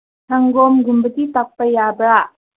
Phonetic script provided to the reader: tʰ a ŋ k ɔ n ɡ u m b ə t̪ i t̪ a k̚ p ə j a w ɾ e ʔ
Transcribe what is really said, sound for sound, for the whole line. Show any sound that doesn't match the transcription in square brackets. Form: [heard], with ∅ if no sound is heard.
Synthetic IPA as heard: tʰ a ŋ [ɡ] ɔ [m] ɡ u m b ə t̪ i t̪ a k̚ p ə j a [b] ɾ [a] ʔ